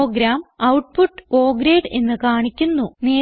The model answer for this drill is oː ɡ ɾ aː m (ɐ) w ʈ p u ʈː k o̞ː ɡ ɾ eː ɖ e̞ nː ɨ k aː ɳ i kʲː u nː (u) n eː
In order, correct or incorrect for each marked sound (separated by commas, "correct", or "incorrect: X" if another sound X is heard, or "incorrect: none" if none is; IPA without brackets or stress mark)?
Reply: correct, correct